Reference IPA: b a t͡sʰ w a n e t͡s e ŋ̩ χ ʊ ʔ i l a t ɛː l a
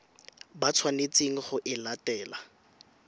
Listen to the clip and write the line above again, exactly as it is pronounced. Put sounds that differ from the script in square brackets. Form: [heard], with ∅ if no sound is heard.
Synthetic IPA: b a t͡sʰ w a n e t͡s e ŋ̩ χ ʊ ʔ [ɪ] l a t ɛː l a